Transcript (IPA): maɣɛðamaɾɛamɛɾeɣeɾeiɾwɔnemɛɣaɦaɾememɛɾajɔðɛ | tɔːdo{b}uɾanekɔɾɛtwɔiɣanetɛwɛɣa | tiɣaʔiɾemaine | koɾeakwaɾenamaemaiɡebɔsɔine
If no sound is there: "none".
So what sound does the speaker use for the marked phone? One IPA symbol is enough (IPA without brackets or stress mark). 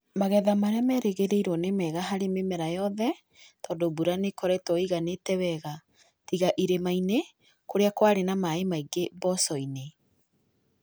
b